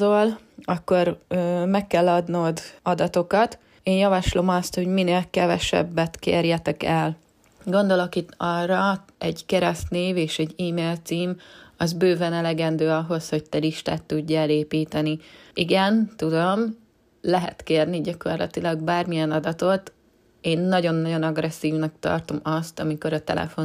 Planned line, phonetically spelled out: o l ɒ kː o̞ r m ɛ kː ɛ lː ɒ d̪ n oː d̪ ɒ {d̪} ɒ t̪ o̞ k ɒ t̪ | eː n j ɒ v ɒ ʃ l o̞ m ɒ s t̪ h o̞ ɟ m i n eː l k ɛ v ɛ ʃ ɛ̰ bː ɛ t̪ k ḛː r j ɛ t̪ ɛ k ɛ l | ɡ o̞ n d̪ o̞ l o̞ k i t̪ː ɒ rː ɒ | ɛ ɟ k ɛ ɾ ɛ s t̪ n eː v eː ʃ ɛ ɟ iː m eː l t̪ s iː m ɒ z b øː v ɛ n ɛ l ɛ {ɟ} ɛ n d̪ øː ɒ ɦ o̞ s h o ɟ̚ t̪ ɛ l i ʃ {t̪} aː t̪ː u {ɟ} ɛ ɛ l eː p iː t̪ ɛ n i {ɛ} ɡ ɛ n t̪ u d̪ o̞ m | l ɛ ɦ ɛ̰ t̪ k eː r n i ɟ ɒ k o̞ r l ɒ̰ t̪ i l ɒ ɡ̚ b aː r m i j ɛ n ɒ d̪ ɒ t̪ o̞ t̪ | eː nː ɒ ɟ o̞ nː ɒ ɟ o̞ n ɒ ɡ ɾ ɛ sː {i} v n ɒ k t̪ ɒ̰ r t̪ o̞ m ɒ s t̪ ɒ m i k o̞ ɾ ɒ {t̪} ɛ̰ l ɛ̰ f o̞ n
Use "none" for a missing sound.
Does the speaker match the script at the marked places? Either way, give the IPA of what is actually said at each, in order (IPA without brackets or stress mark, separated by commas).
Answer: d̪, ɡ, t̪, ɟː, i, iː, t̪